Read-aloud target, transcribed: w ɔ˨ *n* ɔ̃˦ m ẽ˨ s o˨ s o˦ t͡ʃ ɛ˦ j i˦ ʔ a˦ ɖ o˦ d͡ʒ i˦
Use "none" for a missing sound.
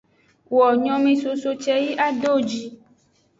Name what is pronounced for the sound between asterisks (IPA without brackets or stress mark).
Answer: ɲ